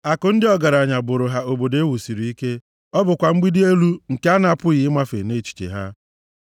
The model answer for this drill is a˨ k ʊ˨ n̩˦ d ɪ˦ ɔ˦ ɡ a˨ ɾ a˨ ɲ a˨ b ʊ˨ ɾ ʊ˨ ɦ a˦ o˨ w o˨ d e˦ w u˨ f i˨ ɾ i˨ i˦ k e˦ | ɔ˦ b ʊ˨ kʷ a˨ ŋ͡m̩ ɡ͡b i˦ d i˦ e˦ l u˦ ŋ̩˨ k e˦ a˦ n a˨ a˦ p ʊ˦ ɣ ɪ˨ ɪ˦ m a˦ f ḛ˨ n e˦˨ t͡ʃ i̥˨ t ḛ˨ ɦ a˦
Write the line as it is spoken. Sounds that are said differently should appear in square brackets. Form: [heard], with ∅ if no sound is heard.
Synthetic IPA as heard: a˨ k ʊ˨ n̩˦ d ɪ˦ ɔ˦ ɡ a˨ ɾ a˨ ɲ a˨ b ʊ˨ ɾ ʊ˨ ɦ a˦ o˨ [b] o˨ d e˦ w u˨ [s] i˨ ɾ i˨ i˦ k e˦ | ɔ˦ b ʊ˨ kʷ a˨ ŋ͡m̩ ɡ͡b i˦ d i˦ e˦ l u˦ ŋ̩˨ k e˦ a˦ n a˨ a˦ p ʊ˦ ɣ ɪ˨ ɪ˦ m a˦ f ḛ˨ n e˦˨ t͡ʃ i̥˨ [t͡ʃ] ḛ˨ ɦ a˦